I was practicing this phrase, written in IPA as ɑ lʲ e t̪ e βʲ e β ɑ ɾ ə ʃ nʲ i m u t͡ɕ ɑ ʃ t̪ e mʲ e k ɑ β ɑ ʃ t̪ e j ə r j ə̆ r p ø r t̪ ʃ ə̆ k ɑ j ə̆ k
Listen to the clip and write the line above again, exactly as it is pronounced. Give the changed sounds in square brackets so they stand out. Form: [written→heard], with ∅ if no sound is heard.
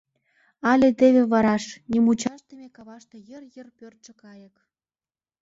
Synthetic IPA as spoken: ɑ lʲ e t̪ e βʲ e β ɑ ɾ [ə→ɑ] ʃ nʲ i m u t͡ɕ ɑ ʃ t̪ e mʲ e k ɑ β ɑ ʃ t̪ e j ə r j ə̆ r p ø r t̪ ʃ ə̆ k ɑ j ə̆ k